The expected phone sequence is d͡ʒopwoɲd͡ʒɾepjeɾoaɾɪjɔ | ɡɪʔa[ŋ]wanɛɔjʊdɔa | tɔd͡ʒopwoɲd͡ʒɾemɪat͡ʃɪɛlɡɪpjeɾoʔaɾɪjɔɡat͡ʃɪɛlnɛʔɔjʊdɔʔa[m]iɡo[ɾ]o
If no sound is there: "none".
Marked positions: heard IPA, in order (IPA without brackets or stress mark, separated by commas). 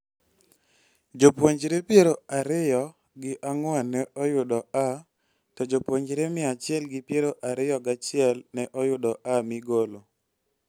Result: ŋ, m, l